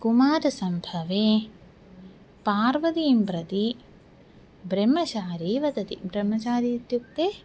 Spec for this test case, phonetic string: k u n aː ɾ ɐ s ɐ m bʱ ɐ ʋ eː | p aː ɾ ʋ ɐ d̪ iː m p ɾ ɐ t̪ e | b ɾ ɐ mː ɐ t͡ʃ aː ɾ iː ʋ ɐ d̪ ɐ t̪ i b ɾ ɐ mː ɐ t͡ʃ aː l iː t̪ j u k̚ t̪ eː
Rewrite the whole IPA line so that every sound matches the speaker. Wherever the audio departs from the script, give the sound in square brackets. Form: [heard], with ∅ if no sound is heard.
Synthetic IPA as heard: k u [m] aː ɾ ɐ s ɐ m bʱ ɐ ʋ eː | p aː ɾ ʋ ɐ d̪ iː m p ɾ ɐ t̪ [i] | b ɾ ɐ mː ɐ t͡ʃ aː ɾ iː ʋ ɐ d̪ ɐ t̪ i b ɾ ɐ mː ɐ t͡ʃ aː [ɾ] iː t̪ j u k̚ t̪ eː